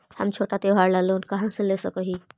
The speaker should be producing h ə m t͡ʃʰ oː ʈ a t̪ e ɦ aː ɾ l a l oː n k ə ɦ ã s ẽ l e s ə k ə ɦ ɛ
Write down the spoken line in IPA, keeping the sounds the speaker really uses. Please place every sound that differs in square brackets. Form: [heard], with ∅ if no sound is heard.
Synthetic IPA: h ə m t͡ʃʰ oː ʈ a t̪ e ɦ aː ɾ l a l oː n k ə ɦ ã s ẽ l e s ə k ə ɦ [i]